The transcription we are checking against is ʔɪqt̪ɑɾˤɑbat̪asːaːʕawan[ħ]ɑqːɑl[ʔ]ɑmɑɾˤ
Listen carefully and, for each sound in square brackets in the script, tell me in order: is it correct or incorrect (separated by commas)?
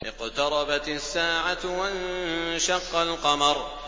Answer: incorrect, incorrect